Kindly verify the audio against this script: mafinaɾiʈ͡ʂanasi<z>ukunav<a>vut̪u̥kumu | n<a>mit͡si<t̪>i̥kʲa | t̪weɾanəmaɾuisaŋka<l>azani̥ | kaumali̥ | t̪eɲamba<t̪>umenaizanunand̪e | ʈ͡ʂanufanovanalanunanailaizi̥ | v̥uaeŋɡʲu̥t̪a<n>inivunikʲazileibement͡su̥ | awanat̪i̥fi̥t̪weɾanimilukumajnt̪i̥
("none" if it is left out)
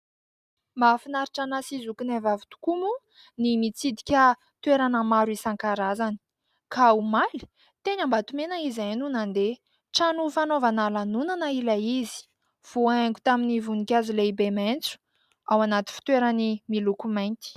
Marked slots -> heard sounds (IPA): z, a, i, d̪, ɾ, t̪, m

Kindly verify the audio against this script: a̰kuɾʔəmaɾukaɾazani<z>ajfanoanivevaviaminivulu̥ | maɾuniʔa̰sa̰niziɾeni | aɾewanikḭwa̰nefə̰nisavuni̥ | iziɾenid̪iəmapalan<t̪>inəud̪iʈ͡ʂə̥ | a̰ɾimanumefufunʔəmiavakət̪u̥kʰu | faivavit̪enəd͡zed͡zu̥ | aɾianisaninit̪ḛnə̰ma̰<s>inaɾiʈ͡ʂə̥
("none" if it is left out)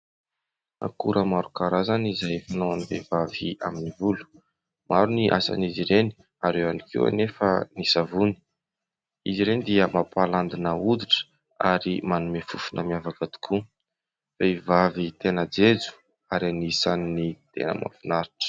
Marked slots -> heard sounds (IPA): z, d̪, f

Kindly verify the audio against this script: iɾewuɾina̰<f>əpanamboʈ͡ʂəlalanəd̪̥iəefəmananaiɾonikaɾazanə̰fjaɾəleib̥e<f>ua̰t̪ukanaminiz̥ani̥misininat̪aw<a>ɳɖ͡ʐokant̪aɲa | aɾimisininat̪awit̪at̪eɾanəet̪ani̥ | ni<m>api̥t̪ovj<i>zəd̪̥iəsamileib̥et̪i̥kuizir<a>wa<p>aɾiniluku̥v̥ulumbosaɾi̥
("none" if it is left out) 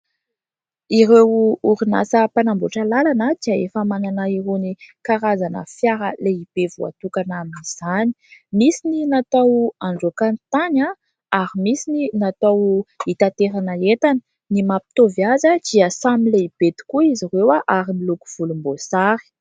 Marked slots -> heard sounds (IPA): s, v, a, m, a, e, ʔ

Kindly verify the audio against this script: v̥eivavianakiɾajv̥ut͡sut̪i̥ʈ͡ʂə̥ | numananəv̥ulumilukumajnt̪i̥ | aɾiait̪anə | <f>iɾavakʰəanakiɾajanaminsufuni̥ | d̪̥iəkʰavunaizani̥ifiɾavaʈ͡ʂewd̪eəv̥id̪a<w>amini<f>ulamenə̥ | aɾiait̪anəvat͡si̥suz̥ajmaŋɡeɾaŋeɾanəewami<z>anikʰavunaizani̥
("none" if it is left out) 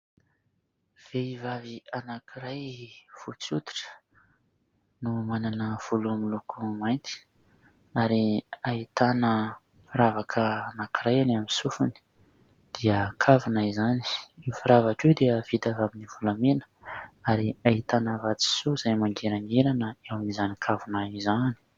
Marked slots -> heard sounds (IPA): f, v, v, z

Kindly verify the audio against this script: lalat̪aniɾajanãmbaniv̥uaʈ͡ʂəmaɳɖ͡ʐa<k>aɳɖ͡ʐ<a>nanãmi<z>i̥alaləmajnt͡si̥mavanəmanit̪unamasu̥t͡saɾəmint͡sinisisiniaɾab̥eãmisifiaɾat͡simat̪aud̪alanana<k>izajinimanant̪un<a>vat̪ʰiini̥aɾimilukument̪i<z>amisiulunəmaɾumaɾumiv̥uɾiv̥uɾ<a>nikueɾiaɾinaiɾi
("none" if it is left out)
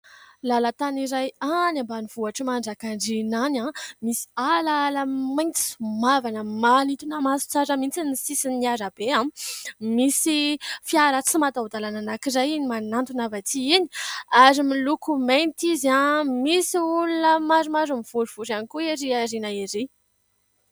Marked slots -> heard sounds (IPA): k, i, s, k, a, z, a

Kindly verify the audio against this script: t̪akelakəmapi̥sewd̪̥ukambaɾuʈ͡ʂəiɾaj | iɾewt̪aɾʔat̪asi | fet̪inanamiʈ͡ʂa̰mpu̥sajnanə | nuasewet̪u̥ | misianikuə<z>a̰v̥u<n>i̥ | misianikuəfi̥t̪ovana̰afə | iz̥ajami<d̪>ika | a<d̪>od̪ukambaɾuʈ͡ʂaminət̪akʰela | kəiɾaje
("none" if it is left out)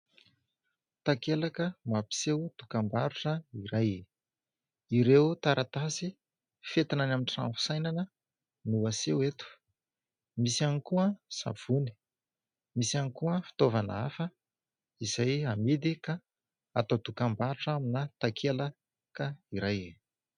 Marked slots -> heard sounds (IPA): s, n, d̪, t̪

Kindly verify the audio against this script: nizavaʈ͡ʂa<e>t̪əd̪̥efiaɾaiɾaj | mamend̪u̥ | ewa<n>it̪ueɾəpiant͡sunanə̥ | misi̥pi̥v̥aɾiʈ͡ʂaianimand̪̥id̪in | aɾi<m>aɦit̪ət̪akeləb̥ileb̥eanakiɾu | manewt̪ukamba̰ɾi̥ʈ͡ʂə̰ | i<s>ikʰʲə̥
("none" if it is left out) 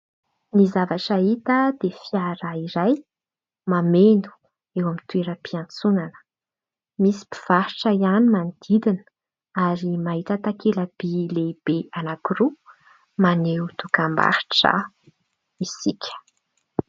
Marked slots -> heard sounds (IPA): i, m, m, s

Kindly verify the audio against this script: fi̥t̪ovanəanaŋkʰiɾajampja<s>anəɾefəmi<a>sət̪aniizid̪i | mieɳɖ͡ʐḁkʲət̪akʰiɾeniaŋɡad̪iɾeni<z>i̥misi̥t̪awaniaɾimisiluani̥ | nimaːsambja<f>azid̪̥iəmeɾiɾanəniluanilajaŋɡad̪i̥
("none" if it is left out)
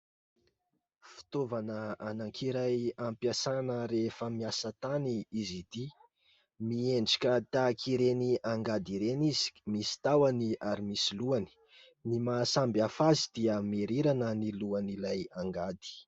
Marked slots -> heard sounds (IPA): s, a, z, f

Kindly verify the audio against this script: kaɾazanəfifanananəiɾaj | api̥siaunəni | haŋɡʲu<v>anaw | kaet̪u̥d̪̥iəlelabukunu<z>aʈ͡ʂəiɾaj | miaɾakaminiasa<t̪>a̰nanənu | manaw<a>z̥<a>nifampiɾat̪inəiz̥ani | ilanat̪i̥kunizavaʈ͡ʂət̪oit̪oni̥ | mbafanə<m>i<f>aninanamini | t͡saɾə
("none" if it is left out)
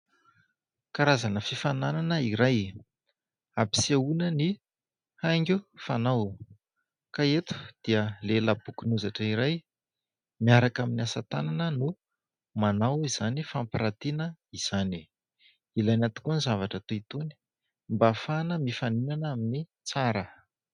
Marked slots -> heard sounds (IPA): f, z, t̪, i, a, m, f

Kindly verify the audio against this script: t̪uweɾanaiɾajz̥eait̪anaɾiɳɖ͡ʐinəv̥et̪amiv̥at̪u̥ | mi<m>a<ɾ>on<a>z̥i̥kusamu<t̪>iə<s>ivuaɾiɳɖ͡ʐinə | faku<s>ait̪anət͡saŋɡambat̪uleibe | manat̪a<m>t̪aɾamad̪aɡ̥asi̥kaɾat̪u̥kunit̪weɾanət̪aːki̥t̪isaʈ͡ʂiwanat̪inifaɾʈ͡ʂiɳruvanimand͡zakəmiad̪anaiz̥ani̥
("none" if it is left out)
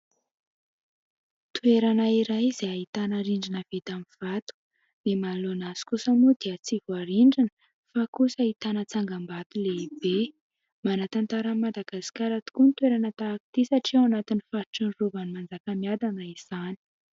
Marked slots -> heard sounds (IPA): m, l, a, d̪, t͡s, s, n

